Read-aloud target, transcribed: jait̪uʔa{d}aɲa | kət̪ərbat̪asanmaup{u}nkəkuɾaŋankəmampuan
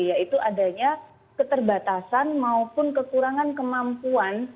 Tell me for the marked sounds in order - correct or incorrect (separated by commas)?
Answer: correct, incorrect